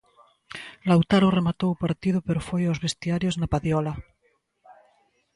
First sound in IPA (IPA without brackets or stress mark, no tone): l